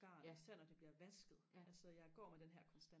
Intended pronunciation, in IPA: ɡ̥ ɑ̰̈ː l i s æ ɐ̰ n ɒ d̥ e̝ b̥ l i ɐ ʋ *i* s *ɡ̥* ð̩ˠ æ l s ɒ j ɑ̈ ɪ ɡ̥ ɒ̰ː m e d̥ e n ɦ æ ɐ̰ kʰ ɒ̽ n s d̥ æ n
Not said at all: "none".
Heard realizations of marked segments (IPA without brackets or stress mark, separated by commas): æ, ɡ̥